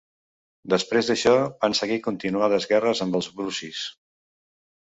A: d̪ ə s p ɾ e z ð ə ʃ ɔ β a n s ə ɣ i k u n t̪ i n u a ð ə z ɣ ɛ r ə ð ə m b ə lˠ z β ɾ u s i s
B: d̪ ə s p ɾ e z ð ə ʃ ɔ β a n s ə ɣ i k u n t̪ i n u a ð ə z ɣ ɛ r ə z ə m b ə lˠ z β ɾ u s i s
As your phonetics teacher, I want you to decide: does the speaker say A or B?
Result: B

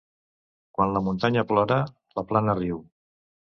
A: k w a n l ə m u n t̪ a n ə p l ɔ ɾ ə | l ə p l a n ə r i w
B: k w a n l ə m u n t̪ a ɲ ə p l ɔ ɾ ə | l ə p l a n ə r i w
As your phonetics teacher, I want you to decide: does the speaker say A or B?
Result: B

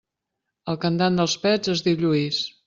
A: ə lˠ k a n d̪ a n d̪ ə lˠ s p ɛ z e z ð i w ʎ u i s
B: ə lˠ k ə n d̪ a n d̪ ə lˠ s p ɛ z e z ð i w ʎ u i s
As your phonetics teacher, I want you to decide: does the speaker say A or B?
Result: B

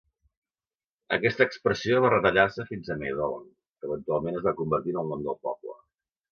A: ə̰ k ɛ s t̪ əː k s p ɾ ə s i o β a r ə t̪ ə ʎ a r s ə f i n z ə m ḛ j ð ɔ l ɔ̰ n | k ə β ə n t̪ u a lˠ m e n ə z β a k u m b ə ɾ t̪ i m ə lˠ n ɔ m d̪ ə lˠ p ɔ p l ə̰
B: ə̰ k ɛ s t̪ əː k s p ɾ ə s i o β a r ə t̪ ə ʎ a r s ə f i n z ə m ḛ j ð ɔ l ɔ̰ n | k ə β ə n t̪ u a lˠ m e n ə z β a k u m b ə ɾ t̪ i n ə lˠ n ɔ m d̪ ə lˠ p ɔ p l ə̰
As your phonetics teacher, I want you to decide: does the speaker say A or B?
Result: B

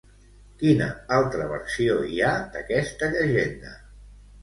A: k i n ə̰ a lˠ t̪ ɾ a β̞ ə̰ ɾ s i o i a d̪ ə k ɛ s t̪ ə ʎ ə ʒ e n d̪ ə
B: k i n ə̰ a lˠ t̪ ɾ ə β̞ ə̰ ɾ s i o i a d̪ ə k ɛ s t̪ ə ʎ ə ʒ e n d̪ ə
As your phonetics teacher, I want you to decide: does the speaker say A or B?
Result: B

